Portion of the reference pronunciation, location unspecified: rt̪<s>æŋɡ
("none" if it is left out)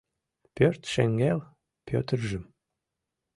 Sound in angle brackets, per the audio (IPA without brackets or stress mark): ʃ